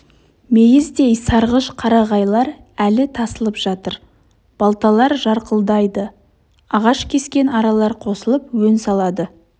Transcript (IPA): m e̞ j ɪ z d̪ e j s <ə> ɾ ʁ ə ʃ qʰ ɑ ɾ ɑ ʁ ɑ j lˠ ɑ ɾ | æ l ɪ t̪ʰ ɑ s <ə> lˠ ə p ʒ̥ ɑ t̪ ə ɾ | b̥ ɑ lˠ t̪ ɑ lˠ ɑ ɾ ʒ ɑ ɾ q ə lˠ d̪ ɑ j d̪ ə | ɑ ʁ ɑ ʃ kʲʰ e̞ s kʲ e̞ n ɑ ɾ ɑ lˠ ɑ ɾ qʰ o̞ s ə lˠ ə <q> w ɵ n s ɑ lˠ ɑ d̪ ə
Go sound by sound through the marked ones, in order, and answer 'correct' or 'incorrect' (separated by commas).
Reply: incorrect, correct, incorrect